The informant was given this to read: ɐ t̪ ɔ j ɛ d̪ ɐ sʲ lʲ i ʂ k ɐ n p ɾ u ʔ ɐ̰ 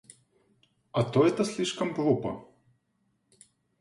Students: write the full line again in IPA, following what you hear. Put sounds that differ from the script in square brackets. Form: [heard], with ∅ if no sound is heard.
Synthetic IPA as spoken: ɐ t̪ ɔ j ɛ [t̪] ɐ sʲ lʲ i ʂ k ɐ [m] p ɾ u [p] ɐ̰